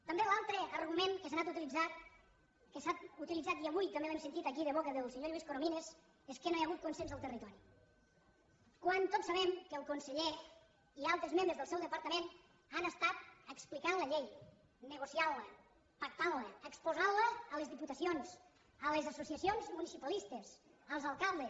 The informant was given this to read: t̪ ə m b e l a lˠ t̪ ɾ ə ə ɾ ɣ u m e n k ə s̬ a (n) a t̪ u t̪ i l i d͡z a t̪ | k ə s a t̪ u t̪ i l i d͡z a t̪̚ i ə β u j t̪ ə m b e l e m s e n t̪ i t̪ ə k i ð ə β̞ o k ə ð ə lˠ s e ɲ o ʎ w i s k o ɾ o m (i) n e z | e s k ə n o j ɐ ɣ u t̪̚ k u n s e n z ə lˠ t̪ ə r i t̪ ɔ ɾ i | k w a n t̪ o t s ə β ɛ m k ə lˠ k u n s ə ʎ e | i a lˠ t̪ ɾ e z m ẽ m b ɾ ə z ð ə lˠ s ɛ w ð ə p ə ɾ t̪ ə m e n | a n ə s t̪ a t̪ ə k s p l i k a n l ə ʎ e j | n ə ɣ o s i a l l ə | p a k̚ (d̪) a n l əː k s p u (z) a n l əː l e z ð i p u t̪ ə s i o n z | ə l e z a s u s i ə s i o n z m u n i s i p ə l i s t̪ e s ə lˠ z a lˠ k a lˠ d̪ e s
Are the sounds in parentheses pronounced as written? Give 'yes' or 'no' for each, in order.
yes, yes, no, yes

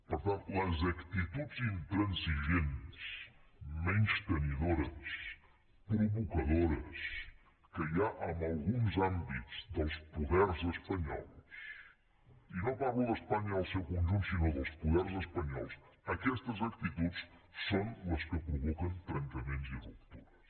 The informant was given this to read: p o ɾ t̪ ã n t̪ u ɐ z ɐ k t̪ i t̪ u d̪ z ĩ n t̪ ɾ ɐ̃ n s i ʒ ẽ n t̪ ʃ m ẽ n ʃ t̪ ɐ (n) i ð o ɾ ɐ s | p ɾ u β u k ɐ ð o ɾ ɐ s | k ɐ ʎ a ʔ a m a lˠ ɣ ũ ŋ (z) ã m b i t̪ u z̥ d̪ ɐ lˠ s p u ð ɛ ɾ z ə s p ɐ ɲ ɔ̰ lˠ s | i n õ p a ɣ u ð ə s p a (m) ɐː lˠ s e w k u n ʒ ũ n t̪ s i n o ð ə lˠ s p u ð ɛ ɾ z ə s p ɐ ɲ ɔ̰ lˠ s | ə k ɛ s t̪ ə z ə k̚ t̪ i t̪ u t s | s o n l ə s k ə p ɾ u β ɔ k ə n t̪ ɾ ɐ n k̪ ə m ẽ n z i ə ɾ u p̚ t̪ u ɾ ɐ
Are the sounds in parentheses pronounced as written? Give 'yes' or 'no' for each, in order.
yes, yes, no

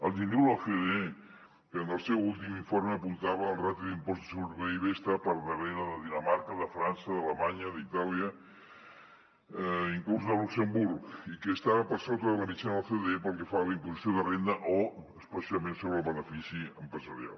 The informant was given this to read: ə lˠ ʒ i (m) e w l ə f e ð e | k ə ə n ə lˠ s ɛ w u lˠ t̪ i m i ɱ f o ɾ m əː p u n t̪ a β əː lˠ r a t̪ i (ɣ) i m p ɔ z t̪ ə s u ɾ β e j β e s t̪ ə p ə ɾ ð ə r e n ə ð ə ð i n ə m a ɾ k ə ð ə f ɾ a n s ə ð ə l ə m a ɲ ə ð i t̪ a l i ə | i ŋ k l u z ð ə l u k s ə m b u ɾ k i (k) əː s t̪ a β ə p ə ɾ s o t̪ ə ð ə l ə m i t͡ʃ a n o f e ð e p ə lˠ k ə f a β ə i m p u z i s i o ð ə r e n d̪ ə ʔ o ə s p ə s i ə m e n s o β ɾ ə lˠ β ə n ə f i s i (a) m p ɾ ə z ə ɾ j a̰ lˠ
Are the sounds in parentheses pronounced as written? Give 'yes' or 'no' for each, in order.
no, no, yes, no

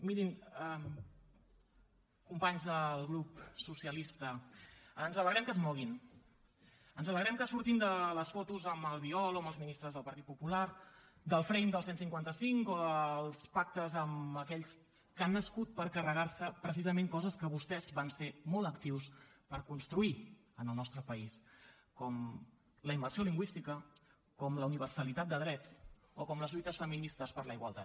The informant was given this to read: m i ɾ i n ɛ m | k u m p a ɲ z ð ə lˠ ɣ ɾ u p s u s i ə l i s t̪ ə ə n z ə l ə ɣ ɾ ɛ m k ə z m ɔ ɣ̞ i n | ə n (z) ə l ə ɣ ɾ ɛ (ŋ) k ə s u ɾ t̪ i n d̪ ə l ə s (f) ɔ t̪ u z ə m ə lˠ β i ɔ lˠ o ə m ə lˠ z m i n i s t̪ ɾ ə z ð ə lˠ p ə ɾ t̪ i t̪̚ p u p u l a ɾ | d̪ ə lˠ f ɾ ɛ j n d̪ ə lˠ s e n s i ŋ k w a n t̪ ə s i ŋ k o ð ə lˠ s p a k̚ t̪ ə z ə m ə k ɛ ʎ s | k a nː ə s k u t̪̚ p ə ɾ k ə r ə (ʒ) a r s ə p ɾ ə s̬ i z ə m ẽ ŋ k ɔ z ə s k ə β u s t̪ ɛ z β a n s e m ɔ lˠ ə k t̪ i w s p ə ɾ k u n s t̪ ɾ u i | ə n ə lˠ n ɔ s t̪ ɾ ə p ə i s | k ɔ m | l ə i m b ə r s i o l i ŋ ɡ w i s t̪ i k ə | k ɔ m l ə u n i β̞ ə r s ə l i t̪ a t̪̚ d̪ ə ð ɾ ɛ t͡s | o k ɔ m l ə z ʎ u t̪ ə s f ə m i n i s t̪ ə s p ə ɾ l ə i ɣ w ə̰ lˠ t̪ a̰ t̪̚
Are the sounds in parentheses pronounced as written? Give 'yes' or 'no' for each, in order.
yes, no, yes, no

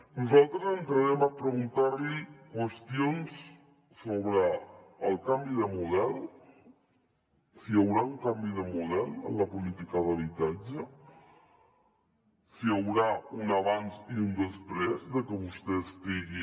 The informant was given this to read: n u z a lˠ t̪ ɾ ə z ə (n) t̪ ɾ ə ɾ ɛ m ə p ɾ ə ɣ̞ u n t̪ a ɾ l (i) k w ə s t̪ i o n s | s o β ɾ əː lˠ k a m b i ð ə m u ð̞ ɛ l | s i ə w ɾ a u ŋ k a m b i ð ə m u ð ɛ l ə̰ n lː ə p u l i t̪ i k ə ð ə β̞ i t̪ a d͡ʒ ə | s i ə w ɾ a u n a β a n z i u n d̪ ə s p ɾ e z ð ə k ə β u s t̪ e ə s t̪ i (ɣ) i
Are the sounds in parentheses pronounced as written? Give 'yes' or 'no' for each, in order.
yes, yes, yes

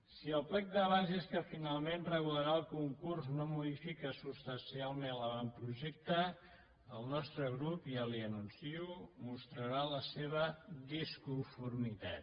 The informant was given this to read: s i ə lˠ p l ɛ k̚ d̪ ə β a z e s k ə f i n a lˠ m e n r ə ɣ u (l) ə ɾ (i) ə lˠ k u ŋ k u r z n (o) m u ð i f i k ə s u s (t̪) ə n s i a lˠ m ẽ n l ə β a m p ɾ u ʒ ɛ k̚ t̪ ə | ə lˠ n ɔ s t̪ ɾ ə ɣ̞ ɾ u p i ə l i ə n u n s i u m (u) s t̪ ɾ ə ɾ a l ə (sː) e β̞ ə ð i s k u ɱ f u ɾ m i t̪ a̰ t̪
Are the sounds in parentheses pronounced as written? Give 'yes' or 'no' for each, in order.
yes, no, yes, yes, yes, no

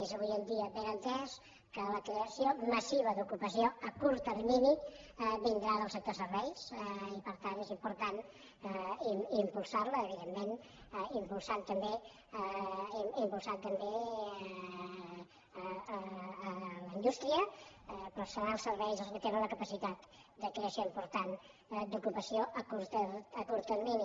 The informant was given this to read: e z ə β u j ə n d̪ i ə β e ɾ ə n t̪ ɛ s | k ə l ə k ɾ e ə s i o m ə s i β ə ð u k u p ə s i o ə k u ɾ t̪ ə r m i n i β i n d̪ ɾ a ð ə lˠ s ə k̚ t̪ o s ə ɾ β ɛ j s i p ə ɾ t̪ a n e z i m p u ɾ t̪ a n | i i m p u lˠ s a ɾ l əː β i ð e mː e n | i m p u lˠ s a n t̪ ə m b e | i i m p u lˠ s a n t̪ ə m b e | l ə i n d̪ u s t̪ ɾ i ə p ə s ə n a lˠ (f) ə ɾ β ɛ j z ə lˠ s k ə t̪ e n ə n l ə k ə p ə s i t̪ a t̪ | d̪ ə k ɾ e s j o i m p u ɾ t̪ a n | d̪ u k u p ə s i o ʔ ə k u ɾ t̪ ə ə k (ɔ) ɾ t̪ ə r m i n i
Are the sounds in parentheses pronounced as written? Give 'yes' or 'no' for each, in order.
no, no

